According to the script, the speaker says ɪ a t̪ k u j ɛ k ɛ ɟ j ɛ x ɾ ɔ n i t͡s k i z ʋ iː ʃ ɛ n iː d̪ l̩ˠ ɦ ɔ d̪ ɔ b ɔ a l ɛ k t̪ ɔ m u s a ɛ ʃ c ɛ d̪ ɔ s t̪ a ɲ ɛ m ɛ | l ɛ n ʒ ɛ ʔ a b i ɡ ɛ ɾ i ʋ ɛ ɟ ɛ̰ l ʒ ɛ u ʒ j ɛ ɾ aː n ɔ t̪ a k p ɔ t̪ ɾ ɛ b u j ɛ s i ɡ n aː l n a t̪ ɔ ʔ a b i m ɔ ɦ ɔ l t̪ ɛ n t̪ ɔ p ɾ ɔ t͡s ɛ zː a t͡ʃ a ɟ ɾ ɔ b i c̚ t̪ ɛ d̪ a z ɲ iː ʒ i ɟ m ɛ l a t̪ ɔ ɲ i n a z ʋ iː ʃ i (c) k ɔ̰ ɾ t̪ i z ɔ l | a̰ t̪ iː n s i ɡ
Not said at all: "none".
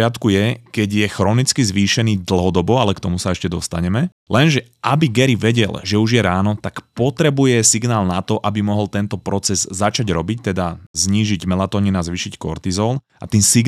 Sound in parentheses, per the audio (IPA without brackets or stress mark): c